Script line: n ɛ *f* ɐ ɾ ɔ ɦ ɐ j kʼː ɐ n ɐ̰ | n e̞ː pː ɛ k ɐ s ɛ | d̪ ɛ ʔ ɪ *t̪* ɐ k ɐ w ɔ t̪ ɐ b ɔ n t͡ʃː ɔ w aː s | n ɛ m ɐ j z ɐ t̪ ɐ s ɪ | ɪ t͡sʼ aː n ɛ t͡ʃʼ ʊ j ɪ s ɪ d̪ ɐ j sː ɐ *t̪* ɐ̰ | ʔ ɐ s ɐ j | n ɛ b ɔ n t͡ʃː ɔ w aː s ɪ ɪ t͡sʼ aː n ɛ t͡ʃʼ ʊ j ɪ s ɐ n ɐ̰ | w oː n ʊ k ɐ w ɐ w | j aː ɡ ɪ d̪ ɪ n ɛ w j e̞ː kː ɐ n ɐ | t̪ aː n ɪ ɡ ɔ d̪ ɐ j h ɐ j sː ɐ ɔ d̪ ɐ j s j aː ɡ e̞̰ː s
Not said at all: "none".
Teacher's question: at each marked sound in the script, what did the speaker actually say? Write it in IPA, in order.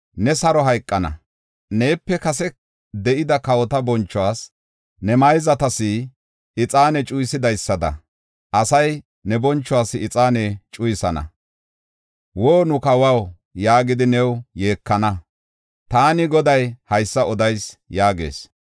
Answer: s, d̪, d̪

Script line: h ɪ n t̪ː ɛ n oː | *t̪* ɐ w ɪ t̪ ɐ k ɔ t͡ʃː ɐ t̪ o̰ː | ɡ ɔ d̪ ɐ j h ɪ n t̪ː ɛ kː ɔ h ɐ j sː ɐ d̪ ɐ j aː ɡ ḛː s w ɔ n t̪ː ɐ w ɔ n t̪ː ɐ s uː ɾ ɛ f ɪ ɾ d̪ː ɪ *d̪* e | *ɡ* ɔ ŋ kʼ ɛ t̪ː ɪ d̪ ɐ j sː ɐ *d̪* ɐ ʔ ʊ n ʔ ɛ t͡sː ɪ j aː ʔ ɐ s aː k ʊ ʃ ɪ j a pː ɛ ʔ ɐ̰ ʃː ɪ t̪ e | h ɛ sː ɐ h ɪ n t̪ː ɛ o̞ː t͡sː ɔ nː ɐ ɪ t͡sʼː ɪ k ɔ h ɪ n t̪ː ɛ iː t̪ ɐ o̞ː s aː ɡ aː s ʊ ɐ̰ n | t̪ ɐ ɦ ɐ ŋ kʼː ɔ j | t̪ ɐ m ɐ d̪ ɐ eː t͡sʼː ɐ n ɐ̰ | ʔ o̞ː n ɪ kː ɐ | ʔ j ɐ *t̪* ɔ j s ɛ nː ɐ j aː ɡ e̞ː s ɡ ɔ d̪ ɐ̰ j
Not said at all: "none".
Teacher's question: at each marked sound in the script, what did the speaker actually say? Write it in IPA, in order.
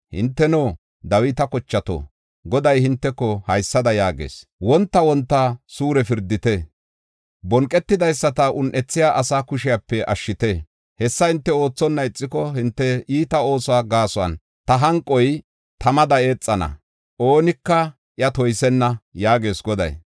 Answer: d̪, t̪, b, t̪, t̪

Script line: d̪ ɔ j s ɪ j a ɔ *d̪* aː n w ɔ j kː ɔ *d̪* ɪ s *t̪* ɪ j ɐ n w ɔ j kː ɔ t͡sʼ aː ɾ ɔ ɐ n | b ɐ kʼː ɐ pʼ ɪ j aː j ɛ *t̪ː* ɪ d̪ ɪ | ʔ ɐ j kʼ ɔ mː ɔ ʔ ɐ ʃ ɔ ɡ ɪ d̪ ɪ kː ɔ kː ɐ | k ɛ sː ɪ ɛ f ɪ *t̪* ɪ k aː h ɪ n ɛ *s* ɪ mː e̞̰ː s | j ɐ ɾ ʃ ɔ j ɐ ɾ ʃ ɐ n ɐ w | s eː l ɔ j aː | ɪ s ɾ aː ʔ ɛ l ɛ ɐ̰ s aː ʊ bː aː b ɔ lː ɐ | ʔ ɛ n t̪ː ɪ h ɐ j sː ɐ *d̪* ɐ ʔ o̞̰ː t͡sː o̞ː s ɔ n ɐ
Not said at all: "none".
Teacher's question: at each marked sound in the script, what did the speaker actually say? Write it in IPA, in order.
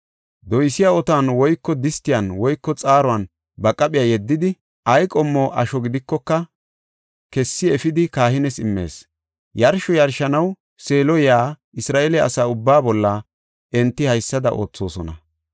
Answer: t̪, d̪, t̪, d̪ː, d̪, s, d̪

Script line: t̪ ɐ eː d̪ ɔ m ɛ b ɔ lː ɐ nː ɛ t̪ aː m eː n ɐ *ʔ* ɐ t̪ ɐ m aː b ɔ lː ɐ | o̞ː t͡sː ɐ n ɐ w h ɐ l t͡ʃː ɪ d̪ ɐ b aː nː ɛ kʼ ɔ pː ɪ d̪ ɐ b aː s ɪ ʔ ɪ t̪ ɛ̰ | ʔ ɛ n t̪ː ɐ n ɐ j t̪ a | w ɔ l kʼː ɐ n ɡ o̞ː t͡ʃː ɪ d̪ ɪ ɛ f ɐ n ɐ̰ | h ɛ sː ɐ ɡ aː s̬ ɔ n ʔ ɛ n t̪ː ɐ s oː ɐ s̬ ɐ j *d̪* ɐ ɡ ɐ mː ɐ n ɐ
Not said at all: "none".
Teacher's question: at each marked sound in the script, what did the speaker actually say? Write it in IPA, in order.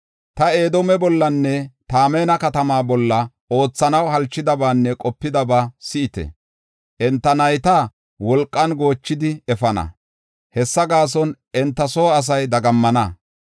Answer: k, d̪

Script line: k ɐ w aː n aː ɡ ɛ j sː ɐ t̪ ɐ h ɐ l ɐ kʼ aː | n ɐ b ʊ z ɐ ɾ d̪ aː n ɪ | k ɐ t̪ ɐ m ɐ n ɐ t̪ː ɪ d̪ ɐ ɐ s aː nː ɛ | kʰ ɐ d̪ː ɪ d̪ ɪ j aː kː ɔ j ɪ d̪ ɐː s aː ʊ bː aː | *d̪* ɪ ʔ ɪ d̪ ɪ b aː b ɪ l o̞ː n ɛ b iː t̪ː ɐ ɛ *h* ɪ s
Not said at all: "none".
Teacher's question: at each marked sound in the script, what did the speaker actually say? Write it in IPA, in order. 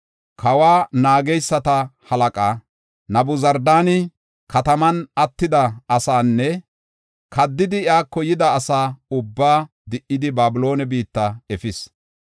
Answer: d̪, f

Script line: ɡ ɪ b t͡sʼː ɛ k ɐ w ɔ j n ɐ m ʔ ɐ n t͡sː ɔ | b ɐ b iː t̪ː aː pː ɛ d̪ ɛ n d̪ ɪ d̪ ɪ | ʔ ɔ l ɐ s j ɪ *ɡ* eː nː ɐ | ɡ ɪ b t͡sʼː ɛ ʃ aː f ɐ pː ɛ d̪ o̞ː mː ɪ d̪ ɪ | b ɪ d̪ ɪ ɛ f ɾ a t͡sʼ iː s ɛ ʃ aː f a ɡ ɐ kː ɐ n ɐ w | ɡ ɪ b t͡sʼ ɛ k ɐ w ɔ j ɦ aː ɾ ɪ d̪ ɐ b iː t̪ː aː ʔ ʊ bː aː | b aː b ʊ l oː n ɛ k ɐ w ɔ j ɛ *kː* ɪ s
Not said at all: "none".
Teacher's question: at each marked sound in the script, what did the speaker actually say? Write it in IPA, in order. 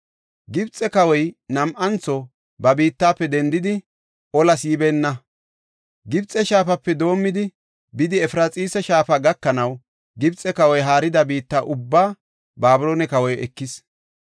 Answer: b, kː

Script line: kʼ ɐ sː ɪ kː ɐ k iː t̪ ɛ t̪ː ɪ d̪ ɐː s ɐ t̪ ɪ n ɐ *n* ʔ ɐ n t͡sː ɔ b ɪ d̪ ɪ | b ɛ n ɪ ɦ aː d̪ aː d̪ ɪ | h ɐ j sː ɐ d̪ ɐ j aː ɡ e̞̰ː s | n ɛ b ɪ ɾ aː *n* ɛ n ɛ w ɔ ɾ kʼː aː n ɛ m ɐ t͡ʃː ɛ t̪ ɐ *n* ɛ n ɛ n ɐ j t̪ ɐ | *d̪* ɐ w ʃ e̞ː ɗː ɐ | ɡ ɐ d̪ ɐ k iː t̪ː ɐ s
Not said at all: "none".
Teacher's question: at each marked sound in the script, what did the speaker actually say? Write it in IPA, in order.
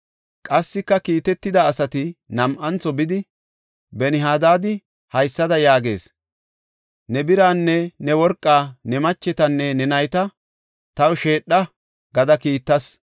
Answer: m, nː, nː, t̪

